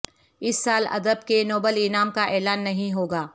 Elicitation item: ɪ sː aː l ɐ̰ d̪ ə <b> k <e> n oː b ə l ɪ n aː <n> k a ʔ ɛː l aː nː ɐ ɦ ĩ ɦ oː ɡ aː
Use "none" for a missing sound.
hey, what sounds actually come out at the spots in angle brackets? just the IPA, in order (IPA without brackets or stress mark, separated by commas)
b, e, m